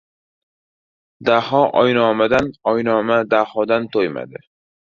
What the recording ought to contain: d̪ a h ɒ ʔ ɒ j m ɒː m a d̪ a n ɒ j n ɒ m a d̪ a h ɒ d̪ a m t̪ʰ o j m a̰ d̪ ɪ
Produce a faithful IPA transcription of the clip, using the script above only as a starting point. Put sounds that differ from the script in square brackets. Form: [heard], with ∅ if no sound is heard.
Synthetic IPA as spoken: d̪ a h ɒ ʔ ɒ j [n] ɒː m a d̪ a n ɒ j n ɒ m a d̪ a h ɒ d̪ a [n] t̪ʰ o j m a̰ d̪ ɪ